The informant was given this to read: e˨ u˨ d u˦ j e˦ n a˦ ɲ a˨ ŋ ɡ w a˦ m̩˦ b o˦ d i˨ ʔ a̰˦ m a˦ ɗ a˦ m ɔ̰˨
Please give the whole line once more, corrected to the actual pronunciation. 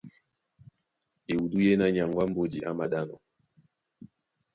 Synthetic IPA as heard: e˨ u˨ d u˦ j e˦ n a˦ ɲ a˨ ŋ ɡ w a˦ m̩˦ b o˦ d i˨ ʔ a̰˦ m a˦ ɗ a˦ n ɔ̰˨